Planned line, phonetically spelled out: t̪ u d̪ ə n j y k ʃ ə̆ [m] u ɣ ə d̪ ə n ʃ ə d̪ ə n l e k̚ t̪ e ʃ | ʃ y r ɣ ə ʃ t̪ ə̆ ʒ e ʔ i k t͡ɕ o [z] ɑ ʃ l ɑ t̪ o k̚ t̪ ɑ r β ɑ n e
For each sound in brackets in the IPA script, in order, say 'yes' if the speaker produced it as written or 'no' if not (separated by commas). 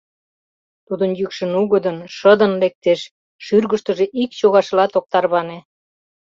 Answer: no, no